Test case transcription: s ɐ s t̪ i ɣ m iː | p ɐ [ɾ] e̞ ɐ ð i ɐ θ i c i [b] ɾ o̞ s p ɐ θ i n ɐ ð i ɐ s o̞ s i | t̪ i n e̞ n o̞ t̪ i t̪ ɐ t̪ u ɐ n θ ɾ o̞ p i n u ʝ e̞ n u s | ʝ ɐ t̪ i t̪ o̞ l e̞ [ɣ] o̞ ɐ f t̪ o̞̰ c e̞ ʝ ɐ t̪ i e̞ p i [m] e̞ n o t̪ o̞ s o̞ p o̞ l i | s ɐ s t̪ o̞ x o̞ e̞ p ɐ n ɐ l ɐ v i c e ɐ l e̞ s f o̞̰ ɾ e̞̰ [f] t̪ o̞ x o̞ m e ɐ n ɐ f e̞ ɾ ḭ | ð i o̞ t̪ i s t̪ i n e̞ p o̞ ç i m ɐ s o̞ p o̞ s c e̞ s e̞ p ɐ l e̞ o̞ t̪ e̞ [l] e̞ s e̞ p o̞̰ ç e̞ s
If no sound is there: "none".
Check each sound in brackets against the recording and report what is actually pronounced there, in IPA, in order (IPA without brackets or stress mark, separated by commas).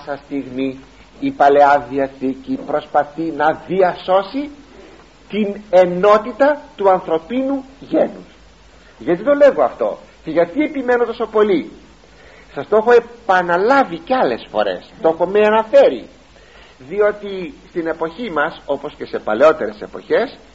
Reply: l, p, ɣ, m, s, ɾ